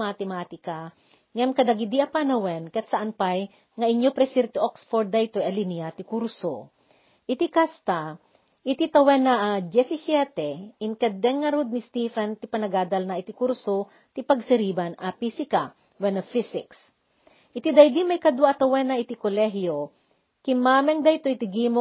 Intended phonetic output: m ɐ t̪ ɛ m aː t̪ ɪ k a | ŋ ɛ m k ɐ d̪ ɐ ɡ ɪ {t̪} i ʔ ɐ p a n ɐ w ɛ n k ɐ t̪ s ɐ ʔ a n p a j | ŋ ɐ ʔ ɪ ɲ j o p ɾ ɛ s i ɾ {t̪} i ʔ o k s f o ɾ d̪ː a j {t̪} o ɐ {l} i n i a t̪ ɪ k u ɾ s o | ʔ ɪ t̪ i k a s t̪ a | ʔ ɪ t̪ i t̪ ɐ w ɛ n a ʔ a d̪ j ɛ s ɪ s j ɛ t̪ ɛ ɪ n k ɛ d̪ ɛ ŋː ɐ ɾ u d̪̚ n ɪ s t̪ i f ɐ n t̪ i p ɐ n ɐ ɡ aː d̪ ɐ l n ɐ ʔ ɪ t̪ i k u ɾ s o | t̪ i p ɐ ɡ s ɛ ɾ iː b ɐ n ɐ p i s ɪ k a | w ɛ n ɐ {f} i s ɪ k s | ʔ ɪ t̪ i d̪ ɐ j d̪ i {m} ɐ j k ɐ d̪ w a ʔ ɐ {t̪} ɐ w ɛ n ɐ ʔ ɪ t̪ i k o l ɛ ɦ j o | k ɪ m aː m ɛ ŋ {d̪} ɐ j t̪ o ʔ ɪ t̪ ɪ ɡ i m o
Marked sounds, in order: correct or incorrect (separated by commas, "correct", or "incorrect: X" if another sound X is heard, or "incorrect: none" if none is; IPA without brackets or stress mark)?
incorrect: d̪, correct, correct, correct, correct, correct, correct, correct